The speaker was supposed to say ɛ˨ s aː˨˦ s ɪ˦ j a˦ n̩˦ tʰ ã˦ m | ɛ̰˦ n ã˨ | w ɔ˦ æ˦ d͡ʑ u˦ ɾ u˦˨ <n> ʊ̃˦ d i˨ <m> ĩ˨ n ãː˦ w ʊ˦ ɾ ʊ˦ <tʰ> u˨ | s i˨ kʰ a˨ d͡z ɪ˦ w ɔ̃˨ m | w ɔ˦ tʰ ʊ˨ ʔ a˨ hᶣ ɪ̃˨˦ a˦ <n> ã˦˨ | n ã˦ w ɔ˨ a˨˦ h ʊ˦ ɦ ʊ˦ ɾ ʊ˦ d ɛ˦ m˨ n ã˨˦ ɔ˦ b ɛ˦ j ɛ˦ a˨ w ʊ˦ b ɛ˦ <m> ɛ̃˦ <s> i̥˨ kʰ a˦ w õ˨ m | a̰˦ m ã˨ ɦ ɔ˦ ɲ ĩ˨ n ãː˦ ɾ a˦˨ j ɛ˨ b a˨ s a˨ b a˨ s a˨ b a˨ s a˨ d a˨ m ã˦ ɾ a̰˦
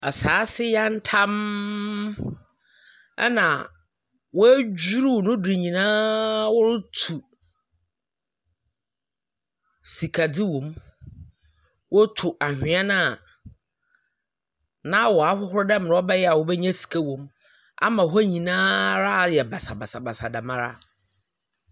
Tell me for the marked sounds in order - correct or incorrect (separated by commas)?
correct, incorrect, correct, correct, incorrect, correct